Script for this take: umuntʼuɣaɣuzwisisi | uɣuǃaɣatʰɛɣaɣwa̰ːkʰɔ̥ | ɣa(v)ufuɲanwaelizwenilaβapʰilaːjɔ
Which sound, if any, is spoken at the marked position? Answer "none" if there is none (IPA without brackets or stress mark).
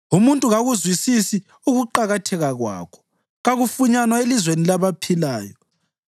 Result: ɣ